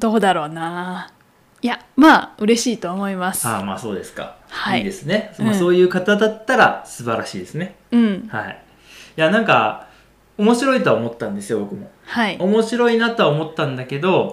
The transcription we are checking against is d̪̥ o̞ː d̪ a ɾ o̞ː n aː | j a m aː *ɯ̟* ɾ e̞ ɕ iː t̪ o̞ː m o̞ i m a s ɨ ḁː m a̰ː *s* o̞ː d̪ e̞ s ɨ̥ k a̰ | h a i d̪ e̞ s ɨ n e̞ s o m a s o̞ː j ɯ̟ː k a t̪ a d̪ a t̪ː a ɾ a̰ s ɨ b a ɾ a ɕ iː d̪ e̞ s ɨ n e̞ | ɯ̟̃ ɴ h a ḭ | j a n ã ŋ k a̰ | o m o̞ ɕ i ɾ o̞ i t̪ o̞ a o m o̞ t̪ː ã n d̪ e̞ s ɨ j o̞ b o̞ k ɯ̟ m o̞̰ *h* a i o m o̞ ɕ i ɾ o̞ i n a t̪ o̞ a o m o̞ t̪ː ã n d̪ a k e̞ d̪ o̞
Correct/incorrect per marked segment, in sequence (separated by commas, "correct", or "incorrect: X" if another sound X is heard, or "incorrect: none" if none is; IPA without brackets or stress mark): correct, correct, correct